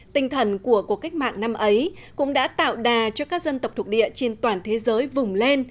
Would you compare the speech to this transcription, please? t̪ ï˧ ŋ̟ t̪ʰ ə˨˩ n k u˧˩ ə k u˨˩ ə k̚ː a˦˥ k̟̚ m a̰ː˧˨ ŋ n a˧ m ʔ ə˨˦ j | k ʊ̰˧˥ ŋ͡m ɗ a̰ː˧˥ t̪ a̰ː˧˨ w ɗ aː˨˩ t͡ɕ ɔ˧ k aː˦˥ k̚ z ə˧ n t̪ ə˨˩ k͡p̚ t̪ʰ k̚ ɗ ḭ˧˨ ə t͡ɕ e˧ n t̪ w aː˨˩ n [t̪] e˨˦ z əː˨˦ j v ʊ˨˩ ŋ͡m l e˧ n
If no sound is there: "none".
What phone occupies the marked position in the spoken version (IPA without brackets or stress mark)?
t̪ʰ